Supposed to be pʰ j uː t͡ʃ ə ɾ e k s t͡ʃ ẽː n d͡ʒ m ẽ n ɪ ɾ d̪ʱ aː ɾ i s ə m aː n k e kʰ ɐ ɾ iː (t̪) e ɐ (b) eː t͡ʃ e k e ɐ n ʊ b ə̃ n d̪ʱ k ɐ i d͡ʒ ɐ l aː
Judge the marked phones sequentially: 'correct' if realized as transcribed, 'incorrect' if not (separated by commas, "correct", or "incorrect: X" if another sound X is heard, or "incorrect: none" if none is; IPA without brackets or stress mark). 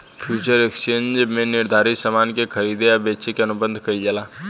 incorrect: d̪, correct